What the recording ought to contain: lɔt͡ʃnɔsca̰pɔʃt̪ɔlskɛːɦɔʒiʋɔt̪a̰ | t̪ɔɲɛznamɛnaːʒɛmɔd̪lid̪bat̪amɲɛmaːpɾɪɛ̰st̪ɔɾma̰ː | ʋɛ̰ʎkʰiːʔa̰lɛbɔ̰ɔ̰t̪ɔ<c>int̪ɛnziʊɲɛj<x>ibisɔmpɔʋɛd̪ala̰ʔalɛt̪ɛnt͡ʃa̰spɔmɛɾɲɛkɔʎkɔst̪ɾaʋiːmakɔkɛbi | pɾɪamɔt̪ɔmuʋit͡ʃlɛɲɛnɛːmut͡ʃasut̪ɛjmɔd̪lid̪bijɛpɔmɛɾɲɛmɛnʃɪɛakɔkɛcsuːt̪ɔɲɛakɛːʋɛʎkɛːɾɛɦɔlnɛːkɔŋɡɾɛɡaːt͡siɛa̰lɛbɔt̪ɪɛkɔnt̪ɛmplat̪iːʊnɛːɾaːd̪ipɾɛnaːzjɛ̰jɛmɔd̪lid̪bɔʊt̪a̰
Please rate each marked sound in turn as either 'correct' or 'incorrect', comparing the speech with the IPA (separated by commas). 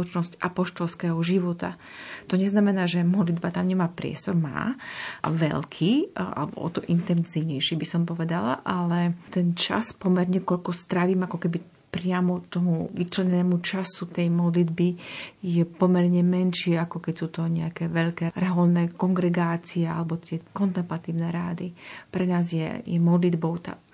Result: incorrect, incorrect